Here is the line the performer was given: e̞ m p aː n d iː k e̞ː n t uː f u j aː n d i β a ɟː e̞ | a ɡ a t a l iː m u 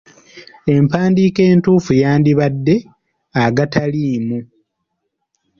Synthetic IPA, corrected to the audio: e̞ m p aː n d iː k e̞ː n t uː f u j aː n d i β a dː e̞ | a ɡ a t a l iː m u